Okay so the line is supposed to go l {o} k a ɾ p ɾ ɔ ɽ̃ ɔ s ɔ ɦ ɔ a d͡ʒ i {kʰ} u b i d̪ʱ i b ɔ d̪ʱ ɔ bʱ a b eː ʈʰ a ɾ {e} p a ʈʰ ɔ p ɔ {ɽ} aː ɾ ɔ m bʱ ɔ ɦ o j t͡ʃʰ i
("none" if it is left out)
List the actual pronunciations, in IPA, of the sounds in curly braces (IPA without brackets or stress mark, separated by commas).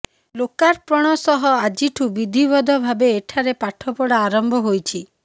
o, ʈʰ, e, ɽ